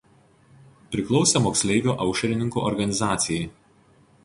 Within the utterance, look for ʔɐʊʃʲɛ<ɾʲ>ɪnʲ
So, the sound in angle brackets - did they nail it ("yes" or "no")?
yes